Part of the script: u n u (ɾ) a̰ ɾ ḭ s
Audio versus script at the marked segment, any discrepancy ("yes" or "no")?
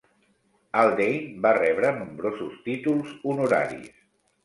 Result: no